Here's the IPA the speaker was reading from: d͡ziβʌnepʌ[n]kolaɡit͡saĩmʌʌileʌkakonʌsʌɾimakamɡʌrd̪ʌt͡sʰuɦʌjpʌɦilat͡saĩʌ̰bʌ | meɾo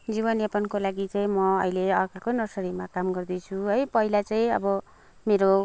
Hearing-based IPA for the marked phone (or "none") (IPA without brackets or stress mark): n